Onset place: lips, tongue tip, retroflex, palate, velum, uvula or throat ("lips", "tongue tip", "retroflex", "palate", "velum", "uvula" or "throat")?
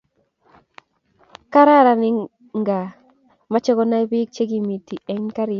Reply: velum